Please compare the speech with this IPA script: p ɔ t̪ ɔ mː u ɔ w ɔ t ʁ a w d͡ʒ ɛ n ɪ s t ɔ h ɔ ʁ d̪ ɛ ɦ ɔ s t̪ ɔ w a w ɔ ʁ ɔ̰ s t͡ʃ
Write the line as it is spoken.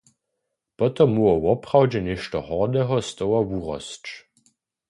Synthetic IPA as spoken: p ɔ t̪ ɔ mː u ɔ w ɔ p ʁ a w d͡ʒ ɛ n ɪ ʃ t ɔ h ɔ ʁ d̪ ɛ ɦ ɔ s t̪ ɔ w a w u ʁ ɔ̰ s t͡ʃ

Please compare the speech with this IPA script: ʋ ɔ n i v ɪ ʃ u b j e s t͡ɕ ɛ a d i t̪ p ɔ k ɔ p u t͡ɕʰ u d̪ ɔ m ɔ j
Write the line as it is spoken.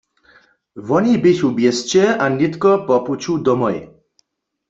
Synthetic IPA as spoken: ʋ ɔ n i b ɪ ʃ u b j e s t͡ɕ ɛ a n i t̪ k ɔ p ɔ p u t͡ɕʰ u d̪ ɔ m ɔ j

